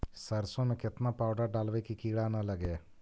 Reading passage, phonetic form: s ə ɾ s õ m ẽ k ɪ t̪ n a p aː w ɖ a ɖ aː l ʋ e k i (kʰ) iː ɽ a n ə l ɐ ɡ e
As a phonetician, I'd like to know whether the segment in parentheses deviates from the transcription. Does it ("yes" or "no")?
yes